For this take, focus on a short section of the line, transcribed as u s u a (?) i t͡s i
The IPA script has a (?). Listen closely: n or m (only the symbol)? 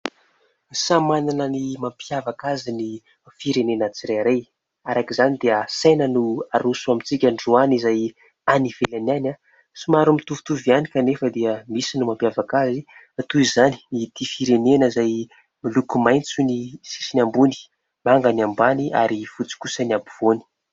m